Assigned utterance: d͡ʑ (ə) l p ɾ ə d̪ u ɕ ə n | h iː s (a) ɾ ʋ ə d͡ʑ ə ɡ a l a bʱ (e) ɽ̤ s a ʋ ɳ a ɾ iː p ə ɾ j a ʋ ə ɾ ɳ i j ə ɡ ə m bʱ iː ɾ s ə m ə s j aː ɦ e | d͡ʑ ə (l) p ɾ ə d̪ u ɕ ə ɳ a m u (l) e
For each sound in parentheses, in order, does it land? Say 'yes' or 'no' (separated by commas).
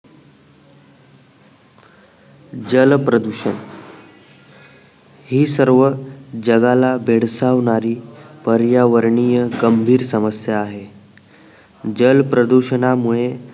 yes, no, yes, yes, no